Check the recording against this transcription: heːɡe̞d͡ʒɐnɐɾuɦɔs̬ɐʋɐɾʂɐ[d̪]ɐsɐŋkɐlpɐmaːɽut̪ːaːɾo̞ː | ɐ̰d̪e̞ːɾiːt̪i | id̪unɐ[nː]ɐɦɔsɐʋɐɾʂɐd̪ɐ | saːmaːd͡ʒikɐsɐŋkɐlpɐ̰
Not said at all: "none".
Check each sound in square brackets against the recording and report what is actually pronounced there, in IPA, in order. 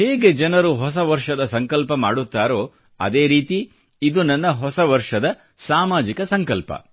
d̪, nː

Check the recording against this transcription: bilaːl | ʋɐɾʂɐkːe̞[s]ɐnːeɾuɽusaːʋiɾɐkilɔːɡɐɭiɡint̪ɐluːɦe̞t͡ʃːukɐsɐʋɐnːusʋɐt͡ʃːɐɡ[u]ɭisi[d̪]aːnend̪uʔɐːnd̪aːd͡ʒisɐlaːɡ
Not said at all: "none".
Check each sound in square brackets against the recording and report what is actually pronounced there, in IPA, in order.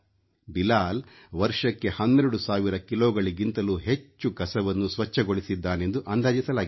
h, o, d̪ː

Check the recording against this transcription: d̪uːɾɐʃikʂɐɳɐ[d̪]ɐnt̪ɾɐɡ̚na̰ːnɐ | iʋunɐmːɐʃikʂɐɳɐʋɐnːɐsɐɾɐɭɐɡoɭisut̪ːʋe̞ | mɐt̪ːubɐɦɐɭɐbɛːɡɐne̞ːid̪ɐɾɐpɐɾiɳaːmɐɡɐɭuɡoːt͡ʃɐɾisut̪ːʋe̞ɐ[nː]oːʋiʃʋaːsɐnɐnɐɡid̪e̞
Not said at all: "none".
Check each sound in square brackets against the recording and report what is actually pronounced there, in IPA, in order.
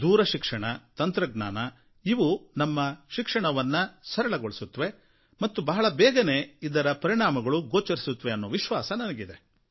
t̪, nː

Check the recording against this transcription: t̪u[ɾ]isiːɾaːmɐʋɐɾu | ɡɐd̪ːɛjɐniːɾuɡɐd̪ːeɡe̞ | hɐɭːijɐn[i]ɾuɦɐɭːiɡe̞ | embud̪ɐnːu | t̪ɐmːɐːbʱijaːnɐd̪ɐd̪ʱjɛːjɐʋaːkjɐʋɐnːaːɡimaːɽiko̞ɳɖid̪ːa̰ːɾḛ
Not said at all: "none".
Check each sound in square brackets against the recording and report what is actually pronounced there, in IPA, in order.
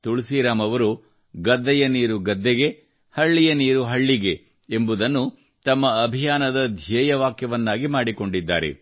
ɭ, iː

